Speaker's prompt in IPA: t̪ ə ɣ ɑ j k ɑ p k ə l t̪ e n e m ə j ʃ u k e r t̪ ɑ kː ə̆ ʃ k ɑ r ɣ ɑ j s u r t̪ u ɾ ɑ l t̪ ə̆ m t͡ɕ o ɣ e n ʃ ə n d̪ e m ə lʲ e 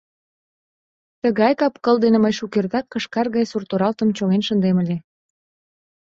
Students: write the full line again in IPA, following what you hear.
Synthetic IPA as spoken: t̪ ə ɣ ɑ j k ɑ p k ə l d̪ e n e m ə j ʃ u k e r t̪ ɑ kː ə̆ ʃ k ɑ r ɣ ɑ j s u r t̪ o ɾ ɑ l t̪ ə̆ m t͡ɕ o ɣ e n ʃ ə n d̪ e m ə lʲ e